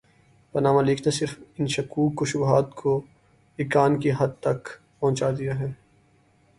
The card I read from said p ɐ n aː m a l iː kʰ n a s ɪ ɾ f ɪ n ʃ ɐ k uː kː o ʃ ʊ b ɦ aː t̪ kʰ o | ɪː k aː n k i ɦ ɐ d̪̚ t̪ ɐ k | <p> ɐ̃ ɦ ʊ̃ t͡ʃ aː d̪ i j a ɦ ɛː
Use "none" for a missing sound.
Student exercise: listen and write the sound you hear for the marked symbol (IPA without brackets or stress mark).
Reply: p